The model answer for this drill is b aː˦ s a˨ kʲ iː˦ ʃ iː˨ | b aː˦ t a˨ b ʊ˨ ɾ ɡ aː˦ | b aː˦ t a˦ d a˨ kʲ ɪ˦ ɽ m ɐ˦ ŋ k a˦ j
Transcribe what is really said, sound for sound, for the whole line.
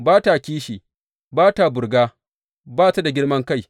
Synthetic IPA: b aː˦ t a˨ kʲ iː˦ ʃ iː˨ | b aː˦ t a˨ b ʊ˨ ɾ ɡ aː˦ | b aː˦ t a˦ d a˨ ɡʲ ɪ˦ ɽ m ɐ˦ ŋ k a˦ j

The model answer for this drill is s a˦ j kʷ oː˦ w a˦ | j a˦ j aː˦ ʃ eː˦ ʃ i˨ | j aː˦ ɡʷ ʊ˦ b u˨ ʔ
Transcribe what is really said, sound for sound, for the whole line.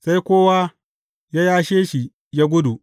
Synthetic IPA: s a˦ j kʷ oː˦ w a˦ | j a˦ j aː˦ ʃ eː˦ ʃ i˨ | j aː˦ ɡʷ ʊ˦ d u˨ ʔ

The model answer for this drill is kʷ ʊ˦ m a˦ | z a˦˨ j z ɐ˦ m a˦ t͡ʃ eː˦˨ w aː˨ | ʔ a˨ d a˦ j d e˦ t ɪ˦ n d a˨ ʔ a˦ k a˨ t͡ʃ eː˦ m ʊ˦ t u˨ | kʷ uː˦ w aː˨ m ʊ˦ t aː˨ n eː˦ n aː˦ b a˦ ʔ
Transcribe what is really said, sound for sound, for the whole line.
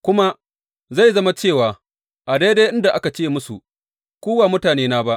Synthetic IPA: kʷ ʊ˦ m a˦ | z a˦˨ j z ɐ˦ m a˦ t͡ʃ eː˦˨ w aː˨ | ʔ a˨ d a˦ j d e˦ ʔ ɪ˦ n d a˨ ʔ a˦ k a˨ t͡ʃ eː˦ m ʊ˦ s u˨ | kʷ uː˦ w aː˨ m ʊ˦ t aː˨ n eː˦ n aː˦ b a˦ ʔ

